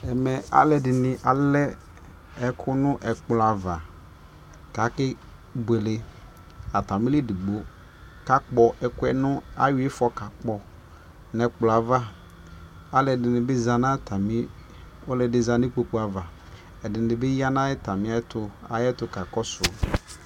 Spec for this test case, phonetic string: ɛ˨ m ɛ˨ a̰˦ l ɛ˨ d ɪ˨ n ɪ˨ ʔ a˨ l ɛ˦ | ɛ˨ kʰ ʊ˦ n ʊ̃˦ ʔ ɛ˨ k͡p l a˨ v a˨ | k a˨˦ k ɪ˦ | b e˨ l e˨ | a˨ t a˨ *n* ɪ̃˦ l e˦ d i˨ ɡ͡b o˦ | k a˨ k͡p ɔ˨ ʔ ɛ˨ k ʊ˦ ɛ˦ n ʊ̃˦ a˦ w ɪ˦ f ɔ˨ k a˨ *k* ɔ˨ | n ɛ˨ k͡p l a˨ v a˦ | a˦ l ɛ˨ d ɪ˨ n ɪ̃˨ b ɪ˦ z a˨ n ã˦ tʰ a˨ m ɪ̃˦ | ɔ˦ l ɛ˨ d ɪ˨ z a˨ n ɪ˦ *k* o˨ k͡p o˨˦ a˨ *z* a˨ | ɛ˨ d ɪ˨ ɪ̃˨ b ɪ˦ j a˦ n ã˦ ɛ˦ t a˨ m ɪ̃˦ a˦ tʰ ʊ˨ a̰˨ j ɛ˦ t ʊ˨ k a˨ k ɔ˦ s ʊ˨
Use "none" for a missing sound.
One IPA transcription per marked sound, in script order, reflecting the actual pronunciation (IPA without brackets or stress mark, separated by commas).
m, k͡p, k͡p, v